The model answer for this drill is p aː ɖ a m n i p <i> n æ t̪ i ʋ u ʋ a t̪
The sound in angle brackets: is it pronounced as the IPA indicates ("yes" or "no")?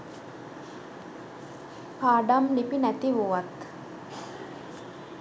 yes